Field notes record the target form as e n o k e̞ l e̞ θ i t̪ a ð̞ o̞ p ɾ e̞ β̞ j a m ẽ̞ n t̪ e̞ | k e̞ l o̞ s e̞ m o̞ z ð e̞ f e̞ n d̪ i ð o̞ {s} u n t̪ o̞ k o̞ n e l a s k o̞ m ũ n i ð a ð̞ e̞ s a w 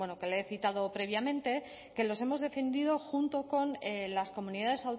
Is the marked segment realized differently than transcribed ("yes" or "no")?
yes